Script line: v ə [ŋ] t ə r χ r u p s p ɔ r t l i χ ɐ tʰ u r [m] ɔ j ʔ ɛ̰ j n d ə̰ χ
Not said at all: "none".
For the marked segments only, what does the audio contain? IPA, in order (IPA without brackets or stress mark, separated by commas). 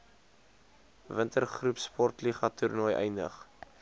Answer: n, n